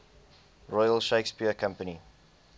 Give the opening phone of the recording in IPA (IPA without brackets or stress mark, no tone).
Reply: ɹ